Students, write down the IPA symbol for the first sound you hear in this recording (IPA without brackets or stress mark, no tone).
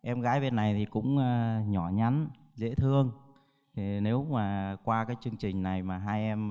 ʔ